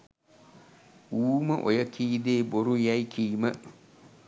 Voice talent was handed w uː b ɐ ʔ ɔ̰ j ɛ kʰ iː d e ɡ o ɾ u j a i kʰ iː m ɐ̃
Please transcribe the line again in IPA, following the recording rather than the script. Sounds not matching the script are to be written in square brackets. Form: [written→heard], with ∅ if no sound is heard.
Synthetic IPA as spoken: w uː [b→m] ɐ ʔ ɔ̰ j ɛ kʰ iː d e [ɡ→b] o ɾ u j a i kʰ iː m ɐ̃

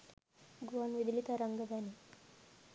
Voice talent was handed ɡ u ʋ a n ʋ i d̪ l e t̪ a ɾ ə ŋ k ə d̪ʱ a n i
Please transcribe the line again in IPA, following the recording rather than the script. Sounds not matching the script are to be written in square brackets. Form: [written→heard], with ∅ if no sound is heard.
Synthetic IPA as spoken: ɡ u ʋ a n ʋ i d̪ l [e→i] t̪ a ɾ ə ŋ [k→ɡ] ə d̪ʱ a n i

